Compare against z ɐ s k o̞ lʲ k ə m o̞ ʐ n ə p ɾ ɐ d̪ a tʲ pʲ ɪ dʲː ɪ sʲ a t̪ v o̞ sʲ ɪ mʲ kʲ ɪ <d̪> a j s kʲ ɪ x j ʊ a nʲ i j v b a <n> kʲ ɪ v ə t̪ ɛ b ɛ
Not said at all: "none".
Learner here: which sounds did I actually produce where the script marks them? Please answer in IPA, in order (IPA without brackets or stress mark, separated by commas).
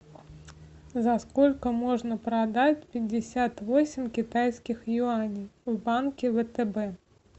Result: t̪, n